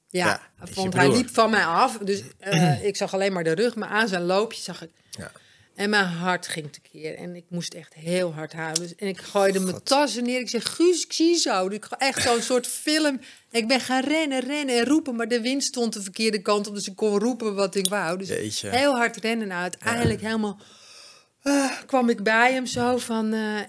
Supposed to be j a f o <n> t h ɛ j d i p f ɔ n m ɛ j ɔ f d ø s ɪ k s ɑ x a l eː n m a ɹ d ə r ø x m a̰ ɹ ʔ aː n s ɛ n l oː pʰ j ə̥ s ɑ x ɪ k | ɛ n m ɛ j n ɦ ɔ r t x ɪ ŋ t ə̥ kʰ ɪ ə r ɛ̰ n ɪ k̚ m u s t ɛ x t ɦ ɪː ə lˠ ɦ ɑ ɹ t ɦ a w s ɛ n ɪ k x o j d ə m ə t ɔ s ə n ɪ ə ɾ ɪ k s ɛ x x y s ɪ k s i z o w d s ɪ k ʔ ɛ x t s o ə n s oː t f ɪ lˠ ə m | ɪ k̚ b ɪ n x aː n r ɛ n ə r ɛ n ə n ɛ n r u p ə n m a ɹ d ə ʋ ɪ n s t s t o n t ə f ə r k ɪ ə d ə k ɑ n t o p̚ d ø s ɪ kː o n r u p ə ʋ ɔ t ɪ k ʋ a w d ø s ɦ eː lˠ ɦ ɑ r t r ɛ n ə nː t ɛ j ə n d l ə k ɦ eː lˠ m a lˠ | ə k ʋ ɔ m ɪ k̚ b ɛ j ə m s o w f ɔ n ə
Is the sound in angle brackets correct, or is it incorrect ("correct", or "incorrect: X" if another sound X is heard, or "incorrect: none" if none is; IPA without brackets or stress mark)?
correct